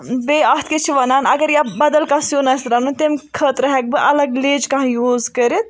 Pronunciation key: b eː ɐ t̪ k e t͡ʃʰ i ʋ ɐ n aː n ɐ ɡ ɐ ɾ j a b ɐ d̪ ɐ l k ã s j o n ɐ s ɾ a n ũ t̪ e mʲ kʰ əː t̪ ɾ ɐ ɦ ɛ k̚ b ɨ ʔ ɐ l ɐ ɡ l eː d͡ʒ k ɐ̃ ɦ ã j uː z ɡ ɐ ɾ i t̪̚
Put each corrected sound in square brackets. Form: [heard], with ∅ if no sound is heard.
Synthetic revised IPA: b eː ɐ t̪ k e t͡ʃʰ i ʋ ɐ n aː n ɐ ɡ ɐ ɾ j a b ɐ d̪ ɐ l k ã s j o n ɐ s ɾ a n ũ t̪ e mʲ kʰ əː t̪ ɾ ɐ ɦ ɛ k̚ b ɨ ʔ ɐ l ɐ ɡ l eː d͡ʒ k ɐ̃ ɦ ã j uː z [k] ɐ ɾ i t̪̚